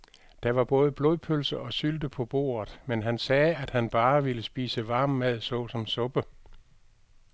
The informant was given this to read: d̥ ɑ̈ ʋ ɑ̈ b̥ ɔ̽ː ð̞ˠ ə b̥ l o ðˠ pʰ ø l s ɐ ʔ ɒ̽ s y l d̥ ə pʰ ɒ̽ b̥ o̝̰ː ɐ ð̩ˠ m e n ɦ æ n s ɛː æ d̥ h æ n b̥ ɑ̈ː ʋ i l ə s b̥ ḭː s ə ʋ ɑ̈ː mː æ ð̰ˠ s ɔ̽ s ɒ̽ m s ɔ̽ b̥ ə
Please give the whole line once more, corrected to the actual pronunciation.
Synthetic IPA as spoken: d̥ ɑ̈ ʋ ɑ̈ b̥ ɔ̽ː ð̞ˠ ə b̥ l o ðˠ pʰ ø l s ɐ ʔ ɒ̽ s y l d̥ ə pʰ ɒ̽ b̥ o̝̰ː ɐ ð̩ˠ m e n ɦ æ n s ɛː æ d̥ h æ n b̥ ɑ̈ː ʋ i l ə s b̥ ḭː s ə ʋ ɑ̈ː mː æ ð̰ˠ s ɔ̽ s ɒ̽ m s ɔ̽ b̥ ə